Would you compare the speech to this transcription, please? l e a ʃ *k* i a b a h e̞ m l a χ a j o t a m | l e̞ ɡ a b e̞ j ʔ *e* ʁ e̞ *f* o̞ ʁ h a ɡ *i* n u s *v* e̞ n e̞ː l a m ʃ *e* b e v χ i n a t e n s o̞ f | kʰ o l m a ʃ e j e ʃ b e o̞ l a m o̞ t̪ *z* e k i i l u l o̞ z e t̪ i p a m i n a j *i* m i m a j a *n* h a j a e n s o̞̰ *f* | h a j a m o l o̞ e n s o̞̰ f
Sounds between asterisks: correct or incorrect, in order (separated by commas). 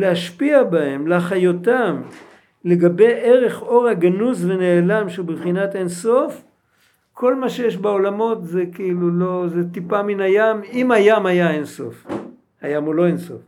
incorrect, correct, incorrect, incorrect, correct, correct, correct, incorrect, incorrect, correct